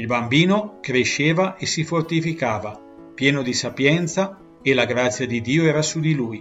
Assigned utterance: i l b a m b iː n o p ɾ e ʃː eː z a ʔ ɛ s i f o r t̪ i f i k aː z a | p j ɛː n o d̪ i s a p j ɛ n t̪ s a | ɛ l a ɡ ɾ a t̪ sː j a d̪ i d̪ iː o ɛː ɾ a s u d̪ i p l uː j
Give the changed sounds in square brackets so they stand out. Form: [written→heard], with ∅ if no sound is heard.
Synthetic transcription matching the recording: i l b a m b iː n o [p→k] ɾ e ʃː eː [z→v] a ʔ [ɛ→e] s i f o r t̪ i f i k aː [z→v] a | p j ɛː n o d̪ i s a p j ɛ n t̪ s a | [ɛ→e] l a ɡ ɾ a t̪ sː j a d̪ i d̪ iː o ɛː ɾ a s u d̪ i [p→∅] l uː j